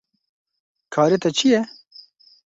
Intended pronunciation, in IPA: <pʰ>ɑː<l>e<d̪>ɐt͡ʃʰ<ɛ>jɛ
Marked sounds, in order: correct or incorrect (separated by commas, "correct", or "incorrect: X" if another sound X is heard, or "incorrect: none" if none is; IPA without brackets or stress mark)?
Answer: incorrect: kʰ, incorrect: ɾ, incorrect: t̪, incorrect: i